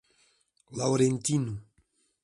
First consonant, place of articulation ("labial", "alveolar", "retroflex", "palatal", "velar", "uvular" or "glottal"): alveolar